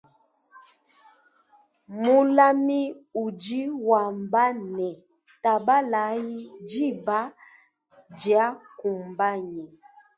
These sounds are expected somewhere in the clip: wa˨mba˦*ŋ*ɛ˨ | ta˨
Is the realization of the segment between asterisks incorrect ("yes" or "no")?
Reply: yes